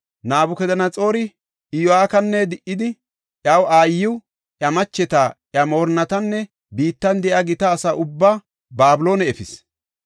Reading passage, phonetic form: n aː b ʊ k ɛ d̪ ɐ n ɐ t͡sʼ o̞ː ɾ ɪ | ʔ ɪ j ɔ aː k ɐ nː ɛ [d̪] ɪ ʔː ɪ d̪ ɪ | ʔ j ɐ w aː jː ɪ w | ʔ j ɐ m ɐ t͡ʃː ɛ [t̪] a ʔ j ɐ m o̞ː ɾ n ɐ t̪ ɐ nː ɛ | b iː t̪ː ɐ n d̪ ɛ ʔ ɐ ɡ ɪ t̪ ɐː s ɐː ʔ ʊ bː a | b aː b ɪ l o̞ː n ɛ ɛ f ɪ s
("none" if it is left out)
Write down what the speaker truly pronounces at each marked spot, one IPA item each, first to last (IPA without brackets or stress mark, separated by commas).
d̪, t̪